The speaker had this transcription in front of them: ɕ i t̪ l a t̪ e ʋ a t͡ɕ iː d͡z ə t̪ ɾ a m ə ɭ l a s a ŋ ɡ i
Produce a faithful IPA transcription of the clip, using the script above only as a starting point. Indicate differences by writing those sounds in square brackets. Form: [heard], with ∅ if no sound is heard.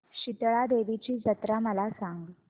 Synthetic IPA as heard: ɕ i t̪ [ɭ] a [d̪] e ʋ [i] t͡ɕ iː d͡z ə t̪ ɾ a m ə [∅] l a s a ŋ ɡ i